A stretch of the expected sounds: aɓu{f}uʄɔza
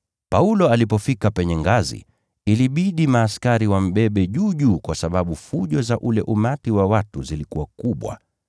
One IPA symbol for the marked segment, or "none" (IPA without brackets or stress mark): f